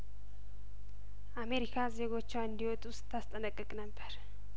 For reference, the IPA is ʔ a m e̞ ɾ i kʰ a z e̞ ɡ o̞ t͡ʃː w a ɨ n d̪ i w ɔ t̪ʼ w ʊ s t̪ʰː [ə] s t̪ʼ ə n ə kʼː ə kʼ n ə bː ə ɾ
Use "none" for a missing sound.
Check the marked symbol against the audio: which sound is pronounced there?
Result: a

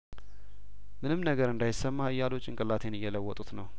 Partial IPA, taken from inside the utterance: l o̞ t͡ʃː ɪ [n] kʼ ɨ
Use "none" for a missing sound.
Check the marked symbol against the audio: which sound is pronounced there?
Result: ŋ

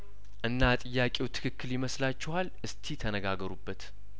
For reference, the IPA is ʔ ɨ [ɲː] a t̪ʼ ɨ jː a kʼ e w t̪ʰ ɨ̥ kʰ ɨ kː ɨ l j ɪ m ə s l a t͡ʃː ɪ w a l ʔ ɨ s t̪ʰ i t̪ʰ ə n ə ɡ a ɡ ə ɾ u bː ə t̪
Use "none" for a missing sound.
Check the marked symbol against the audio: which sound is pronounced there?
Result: nː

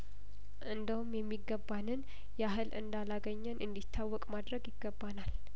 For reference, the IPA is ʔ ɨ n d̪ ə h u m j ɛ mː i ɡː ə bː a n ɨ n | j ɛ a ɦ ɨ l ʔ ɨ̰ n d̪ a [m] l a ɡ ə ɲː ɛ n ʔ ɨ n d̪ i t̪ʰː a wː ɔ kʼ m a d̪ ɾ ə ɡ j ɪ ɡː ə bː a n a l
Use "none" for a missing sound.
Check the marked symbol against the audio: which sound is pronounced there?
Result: none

